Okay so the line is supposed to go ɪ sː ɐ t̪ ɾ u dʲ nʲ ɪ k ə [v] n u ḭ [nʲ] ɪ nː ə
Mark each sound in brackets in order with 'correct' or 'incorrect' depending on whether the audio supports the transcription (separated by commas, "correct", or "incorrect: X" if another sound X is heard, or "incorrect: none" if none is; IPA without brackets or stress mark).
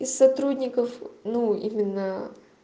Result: incorrect: f, incorrect: mʲ